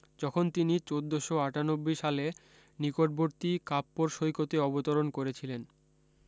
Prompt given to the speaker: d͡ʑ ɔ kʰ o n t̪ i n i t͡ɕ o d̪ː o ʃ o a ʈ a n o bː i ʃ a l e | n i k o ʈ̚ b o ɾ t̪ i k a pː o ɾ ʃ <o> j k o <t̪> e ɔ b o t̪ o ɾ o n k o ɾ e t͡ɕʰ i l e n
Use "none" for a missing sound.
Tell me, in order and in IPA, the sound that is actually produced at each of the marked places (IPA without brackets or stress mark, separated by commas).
o, t̪